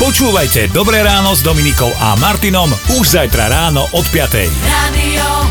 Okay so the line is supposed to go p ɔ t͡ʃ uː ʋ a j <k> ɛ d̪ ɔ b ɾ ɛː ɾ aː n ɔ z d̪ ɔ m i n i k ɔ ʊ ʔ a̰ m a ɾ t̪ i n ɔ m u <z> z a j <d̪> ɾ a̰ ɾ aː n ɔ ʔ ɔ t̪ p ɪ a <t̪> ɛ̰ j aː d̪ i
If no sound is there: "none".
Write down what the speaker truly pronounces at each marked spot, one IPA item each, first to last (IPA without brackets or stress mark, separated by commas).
c, ʒ, t̪, t̪